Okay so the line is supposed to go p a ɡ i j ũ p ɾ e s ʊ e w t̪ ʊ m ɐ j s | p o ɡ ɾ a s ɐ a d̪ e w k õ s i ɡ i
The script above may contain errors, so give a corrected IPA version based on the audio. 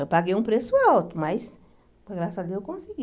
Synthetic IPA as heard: p a ɡ e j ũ p ɾ e s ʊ a w t̪ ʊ m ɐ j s | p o ɡ ɾ a s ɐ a d̪ e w k õ s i ɡ i